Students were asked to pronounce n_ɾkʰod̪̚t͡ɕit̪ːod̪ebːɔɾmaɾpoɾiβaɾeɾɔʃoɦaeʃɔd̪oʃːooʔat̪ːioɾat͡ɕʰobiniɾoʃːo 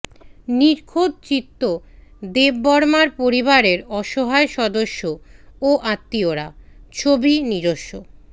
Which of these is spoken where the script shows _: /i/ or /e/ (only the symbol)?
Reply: i